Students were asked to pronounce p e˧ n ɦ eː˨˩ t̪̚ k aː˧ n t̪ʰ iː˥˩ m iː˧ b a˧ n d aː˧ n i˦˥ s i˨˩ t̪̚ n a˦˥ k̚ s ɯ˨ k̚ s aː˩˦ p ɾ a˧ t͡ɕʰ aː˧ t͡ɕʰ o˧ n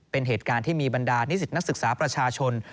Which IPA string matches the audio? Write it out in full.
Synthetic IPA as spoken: p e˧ n ɦ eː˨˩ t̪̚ k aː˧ n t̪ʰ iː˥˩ m iː˧ b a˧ n d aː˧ n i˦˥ s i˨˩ t̪̚ n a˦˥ k̚ s ɯ˨ k̚ s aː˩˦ p ɾ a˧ t͡ɕʰ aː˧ t͡ɕʰ o˧ n